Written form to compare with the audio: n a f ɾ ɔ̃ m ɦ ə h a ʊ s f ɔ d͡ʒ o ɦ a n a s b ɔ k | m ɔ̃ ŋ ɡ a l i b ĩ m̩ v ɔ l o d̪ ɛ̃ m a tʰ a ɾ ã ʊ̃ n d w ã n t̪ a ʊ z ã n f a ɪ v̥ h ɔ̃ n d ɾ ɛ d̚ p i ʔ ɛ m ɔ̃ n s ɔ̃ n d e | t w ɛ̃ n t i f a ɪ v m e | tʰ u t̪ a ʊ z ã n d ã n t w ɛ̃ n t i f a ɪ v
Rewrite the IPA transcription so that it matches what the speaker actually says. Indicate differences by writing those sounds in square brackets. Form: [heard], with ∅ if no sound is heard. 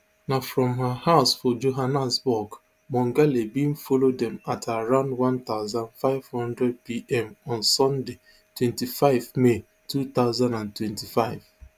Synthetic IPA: n a f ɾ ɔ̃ m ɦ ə h a ʊ s f ɔ d͡ʒ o ɦ a n a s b ɔ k | m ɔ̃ ŋ ɡ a l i b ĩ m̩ [f] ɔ l o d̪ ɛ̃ m a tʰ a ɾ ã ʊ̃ n d w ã n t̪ a ʊ z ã n f a ɪ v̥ h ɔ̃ n d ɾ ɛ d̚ p i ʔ ɛ m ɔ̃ n s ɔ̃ n d e | t w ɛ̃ n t i f a ɪ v m e | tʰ u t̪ a ʊ z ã n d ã n t w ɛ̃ n t i f a ɪ v